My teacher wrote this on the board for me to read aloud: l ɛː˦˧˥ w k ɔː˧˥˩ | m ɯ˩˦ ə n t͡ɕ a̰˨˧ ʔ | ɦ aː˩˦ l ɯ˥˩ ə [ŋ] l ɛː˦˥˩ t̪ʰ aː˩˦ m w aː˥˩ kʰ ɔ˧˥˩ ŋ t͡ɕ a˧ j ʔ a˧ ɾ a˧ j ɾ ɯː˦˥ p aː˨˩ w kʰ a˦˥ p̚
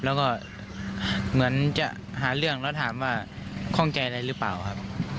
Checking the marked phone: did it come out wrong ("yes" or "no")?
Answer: no